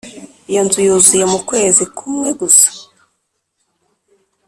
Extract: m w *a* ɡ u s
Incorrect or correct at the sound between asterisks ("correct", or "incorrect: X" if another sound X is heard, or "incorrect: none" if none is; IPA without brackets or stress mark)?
incorrect: e